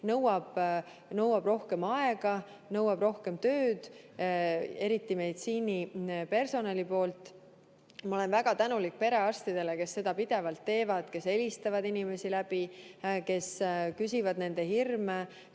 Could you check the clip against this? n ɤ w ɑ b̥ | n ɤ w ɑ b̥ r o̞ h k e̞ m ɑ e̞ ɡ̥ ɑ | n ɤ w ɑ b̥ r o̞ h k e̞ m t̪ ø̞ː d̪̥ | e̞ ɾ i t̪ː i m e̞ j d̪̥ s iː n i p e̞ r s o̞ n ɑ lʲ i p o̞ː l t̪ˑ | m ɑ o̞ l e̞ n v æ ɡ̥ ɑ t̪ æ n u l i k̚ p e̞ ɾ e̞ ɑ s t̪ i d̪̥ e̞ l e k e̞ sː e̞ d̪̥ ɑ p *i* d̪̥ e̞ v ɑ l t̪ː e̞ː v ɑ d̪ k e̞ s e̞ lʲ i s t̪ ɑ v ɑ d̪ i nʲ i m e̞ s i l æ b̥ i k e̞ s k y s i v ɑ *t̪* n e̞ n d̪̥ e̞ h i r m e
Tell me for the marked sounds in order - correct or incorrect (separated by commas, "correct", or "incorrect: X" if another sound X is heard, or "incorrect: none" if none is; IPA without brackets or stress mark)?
correct, incorrect: d̪